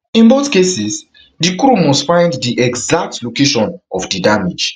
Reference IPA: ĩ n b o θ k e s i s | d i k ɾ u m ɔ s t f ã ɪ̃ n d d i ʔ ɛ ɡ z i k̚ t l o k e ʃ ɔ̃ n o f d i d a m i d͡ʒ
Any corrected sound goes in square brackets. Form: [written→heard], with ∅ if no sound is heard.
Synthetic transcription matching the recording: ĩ n b o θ k e s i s | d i k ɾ u m ɔ s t f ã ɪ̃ n d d i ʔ ɛ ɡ z [i→a] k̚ t l o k e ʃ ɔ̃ n [o→ɔ] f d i d a m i d͡ʒ